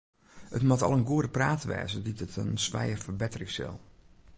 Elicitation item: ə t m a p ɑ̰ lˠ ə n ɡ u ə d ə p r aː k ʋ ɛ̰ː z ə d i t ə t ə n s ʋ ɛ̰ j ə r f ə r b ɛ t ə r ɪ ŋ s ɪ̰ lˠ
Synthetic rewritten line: ə t m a t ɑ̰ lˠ ə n ɡ u ə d ə p r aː t ʋ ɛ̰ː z ə d i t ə t ə n s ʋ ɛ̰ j ə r f ə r b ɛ t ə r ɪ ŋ s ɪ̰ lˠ